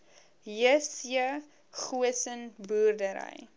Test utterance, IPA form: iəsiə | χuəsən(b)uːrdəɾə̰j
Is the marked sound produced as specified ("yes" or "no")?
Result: yes